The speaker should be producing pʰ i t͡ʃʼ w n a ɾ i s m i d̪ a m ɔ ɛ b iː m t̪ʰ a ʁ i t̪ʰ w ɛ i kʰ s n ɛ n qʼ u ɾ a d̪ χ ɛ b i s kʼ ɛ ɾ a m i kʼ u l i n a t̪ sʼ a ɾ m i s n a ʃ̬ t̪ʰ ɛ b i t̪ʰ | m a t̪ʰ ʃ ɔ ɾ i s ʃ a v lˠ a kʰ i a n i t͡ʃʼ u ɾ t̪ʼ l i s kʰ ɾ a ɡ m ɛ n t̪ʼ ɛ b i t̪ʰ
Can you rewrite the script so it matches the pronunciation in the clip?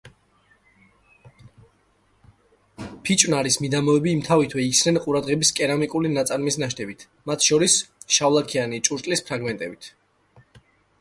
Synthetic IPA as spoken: pʰ i t͡ʃʼ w n a ɾ i s m i d̪ a m ɔ ɛ b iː m t̪ʰ a v i t̪ʰ w ɛ i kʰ s n ɛ n qʼ u ɾ a d̪ ʁ ɛ b i s kʼ ɛ ɾ a m i kʼ u l i n a t̪ sʼ a ɾ m i s n a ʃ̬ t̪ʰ ɛ b i t̪ʰ | m a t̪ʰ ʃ ɔ ɾ i s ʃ a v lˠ a kʰ i a n i t͡ʃʼ u ɾ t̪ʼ l i s pʰ ɾ a ɡ m ɛ n t̪ʼ ɛ b i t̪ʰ